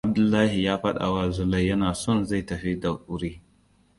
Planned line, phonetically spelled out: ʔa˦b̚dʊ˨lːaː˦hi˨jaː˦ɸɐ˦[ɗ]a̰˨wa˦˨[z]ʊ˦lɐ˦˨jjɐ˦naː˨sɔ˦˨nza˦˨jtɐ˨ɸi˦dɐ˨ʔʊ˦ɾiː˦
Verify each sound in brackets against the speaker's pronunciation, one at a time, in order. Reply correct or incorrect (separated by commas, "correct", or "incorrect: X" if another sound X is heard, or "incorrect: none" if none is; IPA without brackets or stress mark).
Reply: correct, correct